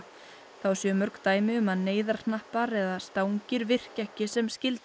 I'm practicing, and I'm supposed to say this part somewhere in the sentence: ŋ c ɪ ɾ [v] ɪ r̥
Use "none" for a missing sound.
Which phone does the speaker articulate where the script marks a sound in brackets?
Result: v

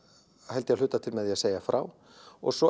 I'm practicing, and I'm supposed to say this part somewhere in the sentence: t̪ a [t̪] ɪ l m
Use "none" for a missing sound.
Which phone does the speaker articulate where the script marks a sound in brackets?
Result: t̪ʰ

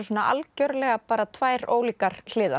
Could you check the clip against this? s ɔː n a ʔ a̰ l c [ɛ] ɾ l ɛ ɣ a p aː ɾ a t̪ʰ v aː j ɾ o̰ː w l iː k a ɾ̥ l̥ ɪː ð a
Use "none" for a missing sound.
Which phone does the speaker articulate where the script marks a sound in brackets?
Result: œ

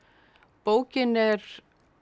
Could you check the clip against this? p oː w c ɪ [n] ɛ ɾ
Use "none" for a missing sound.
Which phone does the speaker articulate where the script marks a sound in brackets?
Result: n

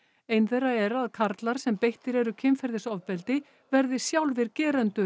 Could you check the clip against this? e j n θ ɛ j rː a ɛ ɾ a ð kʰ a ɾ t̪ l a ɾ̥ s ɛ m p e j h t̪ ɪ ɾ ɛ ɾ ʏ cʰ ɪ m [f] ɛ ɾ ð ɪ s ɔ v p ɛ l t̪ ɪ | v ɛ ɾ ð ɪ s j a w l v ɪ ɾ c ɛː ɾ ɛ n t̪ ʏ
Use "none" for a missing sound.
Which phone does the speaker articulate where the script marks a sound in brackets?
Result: f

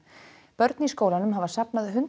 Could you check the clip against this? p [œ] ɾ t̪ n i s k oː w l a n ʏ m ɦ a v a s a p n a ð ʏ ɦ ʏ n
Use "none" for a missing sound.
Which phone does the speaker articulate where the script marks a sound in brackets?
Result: œ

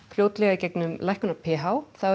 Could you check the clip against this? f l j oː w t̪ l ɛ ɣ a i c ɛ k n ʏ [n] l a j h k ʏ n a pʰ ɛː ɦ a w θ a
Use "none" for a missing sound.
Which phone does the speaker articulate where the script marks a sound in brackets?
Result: m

